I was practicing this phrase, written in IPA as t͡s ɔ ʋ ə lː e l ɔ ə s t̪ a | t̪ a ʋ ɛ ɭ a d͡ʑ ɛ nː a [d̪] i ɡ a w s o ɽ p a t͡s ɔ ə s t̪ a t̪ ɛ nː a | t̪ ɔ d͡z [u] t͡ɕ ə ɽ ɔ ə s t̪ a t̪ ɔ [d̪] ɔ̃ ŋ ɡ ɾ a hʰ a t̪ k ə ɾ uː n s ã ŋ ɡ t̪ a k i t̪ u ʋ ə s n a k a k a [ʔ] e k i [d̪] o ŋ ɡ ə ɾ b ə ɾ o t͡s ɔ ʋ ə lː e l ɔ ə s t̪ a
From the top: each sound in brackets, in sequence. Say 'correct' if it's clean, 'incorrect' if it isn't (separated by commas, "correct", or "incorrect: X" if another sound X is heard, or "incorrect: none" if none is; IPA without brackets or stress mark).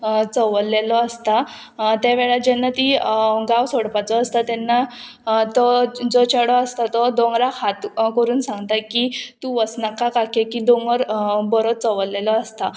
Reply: incorrect: t̪, incorrect: ɔ, correct, incorrect: k, correct